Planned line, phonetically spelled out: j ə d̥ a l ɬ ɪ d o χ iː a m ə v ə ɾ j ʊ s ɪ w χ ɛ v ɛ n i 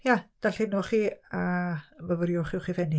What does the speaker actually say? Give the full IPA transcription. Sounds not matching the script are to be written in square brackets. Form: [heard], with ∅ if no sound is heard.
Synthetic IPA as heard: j [a] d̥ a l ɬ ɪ [n] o χ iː a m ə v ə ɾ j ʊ [χ] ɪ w χ [i] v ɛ n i

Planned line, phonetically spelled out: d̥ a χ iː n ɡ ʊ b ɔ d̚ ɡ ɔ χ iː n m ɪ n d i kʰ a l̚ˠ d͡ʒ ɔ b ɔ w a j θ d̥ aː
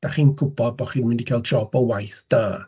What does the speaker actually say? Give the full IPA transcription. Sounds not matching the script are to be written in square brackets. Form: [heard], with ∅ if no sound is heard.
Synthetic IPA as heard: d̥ a χ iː n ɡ ʊ b ɔ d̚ [b] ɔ χ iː n m ɪ n d i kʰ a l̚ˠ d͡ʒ ɔ b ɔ w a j θ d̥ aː

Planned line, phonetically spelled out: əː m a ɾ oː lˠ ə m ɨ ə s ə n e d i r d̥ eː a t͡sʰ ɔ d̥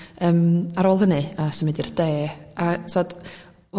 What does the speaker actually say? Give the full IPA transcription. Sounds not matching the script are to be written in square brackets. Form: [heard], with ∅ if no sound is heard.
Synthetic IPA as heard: əː m a ɾ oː lˠ ə [n] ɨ [a] s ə [m] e d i r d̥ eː a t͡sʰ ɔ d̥

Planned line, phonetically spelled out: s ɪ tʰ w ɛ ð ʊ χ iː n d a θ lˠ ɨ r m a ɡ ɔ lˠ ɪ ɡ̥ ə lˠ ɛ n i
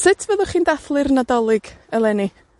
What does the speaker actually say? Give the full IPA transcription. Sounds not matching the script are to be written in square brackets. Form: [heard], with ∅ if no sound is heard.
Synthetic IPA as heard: s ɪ tʰ [v] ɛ ð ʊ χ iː n d a θ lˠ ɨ r [n] a [d] ɔ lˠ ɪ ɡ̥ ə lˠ ɛ n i

